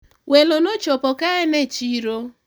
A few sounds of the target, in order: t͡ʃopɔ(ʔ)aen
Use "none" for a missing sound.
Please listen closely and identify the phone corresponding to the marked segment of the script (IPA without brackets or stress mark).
k